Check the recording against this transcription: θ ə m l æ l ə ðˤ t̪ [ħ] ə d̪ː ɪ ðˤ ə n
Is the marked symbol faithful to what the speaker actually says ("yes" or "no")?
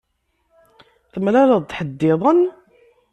yes